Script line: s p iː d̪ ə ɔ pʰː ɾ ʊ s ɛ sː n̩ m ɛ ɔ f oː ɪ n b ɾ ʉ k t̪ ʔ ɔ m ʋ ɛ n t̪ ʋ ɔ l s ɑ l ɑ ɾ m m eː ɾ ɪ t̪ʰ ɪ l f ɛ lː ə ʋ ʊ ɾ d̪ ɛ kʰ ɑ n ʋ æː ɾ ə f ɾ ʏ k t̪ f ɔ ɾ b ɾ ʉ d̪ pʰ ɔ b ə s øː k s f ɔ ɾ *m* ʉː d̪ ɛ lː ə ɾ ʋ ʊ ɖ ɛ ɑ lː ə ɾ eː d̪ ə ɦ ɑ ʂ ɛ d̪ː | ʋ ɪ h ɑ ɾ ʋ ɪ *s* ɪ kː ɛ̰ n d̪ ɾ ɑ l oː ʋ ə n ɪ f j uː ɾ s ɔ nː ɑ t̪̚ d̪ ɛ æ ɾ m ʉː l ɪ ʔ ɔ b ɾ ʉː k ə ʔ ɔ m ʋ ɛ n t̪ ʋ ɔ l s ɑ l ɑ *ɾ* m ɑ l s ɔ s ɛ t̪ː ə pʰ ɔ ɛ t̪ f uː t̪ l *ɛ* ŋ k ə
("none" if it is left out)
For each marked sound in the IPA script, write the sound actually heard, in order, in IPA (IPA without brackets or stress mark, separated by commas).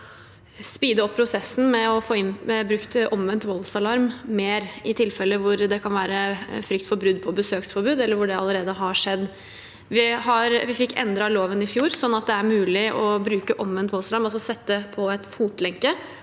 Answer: b, f, ɾ, ɛ